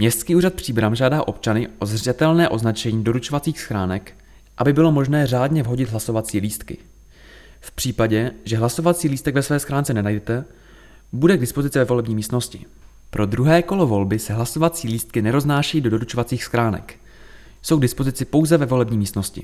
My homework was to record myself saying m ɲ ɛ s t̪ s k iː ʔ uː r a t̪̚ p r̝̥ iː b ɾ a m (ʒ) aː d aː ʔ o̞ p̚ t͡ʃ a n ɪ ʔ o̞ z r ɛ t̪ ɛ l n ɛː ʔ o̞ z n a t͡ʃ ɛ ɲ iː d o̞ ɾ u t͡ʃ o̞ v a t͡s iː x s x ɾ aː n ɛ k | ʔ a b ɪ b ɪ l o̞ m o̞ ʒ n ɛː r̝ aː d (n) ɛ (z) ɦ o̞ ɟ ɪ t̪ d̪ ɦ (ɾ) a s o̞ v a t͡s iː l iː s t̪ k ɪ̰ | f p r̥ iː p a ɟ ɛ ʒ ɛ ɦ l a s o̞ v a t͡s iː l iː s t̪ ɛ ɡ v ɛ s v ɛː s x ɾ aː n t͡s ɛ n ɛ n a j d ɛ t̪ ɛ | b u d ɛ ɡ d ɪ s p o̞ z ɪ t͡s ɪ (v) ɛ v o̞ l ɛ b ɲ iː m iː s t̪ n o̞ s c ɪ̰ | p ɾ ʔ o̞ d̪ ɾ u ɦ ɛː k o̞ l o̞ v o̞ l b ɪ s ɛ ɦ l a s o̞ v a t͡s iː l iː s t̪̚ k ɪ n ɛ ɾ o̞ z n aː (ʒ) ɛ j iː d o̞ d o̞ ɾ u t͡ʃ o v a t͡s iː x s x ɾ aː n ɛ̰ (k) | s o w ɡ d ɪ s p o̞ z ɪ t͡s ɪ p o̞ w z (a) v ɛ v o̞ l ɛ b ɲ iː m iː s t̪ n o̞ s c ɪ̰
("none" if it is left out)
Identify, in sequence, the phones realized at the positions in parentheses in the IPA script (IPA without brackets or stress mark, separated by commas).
ʒ, ɲ, v, l, v, ʃ, k, ɛ